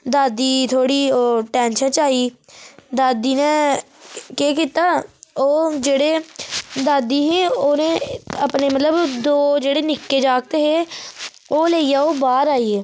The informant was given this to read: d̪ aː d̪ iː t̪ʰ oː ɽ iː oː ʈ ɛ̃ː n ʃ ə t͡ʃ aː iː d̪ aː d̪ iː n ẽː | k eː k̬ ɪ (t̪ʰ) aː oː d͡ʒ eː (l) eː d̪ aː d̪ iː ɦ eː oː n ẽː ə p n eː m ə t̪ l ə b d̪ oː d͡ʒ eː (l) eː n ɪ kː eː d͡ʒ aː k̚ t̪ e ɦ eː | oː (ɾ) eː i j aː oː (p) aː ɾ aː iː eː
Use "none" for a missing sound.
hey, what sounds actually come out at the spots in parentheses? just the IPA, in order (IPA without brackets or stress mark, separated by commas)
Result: t̪, ɽ, ɽ, l, b